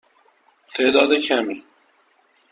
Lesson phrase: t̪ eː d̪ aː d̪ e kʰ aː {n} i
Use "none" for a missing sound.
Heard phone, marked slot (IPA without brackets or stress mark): m